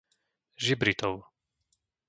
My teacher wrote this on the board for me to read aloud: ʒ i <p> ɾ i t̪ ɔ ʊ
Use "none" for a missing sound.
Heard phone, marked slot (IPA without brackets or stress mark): b